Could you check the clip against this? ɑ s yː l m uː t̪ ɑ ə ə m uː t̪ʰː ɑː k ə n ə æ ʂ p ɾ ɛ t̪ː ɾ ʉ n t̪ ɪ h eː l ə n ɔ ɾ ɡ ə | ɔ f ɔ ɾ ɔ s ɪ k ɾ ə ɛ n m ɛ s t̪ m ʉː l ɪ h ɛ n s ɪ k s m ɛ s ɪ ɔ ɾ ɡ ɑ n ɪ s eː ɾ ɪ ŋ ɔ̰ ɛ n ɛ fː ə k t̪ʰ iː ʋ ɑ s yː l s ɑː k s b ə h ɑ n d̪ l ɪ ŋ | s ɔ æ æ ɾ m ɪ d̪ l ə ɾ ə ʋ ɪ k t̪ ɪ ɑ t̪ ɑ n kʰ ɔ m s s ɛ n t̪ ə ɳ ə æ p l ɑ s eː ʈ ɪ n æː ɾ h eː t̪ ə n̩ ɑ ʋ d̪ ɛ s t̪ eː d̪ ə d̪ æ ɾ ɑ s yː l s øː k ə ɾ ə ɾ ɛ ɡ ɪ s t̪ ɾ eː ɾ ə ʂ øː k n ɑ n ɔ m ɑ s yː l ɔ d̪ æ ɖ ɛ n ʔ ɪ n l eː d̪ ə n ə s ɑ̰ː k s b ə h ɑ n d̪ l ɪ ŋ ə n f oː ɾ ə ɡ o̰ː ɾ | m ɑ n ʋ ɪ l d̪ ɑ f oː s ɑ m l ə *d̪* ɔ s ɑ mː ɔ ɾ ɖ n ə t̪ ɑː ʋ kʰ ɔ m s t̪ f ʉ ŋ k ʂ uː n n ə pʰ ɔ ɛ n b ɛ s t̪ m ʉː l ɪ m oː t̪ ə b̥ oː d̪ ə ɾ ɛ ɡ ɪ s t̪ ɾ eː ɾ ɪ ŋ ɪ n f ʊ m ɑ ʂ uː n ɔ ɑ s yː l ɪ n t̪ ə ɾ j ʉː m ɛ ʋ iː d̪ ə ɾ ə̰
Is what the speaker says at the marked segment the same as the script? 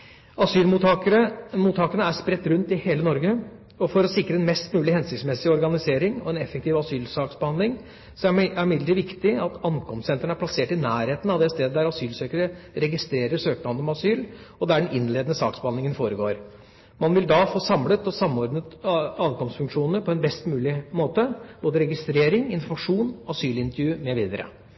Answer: no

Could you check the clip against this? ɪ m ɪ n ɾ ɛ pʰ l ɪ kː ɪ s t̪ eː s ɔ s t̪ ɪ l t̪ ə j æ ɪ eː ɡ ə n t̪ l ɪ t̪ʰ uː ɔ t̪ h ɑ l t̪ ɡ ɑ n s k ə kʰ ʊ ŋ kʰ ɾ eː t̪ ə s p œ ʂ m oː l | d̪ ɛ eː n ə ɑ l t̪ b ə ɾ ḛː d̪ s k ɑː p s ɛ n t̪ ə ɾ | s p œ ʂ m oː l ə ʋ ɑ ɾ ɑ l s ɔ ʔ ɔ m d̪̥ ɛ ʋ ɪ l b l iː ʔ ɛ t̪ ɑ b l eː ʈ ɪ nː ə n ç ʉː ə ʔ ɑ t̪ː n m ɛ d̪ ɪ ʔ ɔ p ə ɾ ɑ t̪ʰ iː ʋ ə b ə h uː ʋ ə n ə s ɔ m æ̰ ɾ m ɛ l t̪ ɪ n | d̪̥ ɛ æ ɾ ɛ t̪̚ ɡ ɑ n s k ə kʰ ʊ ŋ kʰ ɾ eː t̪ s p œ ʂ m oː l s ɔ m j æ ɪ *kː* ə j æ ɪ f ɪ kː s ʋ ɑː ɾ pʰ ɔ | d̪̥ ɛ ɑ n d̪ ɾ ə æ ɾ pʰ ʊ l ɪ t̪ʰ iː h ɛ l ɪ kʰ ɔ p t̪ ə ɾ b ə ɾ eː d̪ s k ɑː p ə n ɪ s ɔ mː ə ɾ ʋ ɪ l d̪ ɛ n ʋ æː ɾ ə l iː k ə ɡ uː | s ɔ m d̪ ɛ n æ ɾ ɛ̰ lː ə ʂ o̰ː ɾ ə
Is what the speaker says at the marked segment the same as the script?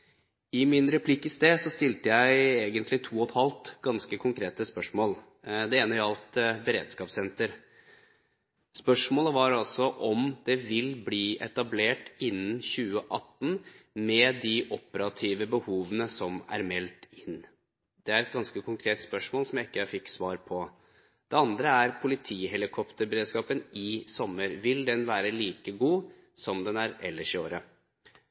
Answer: yes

